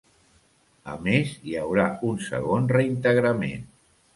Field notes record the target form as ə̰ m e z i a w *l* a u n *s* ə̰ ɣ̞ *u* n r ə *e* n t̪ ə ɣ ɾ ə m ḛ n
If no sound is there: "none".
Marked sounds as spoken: ɾ, s, o, i

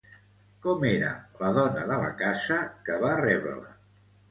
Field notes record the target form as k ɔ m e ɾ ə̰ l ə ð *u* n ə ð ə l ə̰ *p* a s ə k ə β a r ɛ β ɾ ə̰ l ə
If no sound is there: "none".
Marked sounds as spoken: ɔ, k

